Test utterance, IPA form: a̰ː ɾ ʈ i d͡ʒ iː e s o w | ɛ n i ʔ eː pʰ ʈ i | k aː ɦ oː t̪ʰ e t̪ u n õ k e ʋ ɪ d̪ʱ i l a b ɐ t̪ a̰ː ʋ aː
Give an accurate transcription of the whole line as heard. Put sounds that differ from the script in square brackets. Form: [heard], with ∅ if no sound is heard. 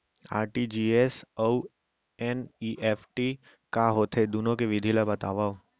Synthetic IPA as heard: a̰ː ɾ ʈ i d͡ʒ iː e s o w | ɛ n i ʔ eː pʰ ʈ i | k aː ɦ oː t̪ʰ e [d̪] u n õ k e ʋ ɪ d̪ʱ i l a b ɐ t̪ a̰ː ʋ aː